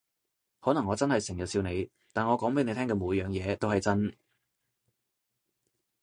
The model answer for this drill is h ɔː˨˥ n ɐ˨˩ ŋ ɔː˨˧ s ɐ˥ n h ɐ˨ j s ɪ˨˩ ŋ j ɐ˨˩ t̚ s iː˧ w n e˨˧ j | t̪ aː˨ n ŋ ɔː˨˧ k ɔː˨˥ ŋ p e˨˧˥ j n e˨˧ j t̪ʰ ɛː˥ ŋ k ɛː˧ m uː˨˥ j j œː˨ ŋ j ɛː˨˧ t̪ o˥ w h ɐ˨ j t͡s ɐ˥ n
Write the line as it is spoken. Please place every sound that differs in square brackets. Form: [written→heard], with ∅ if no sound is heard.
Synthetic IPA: h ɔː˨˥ n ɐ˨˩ ŋ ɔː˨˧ [s→t͡s] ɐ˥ n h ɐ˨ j s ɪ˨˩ ŋ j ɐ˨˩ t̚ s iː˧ w n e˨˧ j | t̪ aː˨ n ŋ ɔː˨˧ k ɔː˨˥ ŋ p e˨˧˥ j n e˨˧ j t̪ʰ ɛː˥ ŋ k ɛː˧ m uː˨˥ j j œː˨ ŋ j ɛː˨˧ t̪ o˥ w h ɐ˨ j t͡s ɐ˥ n

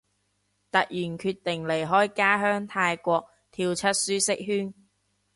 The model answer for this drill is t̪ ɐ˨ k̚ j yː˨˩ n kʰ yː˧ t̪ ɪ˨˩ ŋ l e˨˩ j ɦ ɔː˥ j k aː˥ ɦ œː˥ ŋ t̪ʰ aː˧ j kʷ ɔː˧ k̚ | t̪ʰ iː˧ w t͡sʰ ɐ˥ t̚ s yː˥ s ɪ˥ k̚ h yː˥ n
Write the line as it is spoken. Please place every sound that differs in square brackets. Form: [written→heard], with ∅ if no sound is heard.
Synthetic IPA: t̪ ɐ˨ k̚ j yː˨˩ n kʰ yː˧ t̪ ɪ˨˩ ŋ l e˨˩ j ɦ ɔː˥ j k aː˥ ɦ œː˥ ŋ t̪ʰ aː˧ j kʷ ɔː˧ k̚ | t̪ʰ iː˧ w t͡sʰ ɐ˥ t̚ s yː˥ s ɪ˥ k̚ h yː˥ n

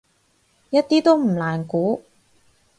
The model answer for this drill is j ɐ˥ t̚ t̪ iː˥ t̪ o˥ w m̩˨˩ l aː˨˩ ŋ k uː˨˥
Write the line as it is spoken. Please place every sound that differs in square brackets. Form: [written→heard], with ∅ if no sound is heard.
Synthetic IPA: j ɐ˥ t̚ t̪ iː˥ t̪ o˥ w m̩˨˩ l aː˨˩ [ŋ→n] k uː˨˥

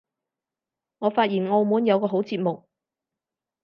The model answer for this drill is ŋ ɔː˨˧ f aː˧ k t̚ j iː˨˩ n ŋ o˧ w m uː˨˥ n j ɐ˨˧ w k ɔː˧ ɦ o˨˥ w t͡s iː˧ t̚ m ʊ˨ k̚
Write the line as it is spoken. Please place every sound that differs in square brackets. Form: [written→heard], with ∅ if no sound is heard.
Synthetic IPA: ŋ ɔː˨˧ f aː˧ [k→∅] t̚ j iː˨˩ n ŋ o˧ w m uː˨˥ n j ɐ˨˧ w k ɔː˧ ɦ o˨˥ w t͡s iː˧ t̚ m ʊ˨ k̚

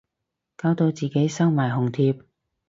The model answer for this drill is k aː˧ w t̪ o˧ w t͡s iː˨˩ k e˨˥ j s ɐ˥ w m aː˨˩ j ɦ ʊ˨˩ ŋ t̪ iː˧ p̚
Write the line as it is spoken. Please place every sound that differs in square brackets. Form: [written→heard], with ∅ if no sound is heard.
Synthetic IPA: k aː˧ w t̪ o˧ w t͡s iː˨˩ k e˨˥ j s ɐ˥ w m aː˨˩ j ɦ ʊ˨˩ ŋ [t̪→t̪ʰ] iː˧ p̚

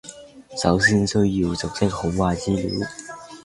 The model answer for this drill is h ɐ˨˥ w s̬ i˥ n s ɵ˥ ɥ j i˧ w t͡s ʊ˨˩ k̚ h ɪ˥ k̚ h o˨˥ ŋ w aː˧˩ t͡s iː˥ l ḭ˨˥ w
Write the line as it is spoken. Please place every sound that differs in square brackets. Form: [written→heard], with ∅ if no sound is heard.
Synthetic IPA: [h→s] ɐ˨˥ w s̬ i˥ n s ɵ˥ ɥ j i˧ w t͡s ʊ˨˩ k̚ [h→s] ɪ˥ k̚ h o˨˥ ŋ w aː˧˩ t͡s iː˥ l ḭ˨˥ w

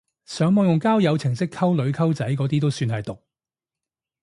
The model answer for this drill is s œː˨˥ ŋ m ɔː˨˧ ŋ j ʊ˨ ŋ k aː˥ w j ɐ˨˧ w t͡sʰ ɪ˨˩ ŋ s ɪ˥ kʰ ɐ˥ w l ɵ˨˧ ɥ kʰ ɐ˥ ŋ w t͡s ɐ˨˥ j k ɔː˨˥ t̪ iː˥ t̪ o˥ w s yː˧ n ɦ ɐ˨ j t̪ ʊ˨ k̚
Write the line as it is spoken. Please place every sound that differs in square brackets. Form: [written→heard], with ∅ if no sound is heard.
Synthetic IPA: s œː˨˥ ŋ m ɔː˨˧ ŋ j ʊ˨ ŋ k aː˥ w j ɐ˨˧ w t͡sʰ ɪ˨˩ ŋ s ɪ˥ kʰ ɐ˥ w l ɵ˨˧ ɥ kʰ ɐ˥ [ŋ→∅] w t͡s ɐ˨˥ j k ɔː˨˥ t̪ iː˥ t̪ o˥ w s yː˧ n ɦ ɐ˨ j t̪ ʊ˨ k̚

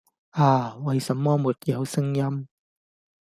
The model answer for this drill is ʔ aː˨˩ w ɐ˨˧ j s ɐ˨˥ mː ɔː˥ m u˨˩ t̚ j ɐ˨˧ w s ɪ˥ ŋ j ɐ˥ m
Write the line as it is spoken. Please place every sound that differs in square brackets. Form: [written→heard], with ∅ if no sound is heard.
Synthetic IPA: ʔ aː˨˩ w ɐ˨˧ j s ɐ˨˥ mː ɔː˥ m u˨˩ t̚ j ɐ˨˧ w s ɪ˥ ŋ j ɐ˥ m

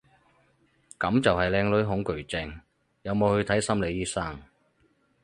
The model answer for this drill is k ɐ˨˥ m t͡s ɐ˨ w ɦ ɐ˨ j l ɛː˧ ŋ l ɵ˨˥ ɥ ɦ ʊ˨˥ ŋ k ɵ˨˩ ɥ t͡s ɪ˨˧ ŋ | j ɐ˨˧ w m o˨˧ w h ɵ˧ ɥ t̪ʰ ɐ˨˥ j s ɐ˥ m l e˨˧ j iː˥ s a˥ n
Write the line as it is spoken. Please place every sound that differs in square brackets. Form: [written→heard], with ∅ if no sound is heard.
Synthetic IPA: k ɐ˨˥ m t͡s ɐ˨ w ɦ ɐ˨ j l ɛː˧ ŋ l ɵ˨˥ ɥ ɦ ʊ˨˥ ŋ k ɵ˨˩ ɥ t͡s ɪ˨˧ ŋ | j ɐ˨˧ w m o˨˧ w h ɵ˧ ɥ t̪ʰ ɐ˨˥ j s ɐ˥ m l e˨˧ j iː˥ s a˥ [n→ŋ]

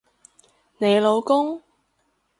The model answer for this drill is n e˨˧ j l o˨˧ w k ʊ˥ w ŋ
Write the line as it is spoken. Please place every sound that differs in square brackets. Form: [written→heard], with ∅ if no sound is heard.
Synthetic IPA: n e˨˧ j l o˨˧ w k ʊ˥ [w→∅] ŋ

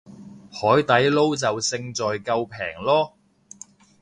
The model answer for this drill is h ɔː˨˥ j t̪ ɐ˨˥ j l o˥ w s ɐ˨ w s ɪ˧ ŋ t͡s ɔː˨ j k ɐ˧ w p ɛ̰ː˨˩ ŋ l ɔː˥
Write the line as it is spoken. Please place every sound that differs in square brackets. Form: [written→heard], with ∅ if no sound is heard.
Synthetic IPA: h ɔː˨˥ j t̪ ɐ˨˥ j l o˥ w [s→t͡s] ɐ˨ w s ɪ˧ ŋ t͡s ɔː˨ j k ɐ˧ w [p→pʰ] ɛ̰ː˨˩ ŋ l ɔː˥

